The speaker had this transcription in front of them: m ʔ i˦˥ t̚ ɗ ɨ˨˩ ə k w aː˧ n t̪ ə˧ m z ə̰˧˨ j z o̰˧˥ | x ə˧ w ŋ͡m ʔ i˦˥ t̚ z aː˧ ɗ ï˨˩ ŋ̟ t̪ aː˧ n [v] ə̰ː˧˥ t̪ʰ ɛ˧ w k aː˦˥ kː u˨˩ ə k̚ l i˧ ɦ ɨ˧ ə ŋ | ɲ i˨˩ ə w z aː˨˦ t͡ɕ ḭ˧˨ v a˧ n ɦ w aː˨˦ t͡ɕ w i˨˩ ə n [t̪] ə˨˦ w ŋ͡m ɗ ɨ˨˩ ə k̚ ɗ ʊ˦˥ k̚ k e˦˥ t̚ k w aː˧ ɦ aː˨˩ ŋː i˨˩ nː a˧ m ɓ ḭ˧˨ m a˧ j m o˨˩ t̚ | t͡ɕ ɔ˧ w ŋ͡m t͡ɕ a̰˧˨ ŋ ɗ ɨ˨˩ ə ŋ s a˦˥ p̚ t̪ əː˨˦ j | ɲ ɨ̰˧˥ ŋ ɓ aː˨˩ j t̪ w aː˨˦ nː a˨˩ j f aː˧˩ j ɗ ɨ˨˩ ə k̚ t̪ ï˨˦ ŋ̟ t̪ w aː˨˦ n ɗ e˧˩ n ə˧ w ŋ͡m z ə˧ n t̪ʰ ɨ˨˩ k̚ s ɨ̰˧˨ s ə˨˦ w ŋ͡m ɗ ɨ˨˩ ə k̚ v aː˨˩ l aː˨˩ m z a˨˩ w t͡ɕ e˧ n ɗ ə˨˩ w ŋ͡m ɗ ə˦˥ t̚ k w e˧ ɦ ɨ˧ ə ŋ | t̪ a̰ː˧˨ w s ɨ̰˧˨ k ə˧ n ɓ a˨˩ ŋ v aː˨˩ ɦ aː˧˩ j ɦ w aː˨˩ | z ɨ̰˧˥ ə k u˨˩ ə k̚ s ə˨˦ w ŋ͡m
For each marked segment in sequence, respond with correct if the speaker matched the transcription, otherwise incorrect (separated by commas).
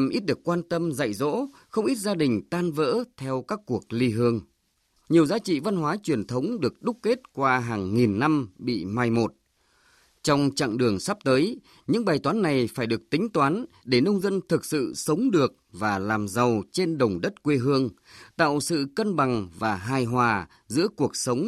correct, incorrect